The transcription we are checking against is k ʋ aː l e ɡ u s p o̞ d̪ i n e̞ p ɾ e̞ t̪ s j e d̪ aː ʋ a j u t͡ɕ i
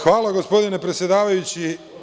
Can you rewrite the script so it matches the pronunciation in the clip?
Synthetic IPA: x ʋ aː l a ɡ o s p o̞ d̪ i n e̞ p ɾ e̞ t̪ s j e d̪ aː ʋ a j u t͡ɕ i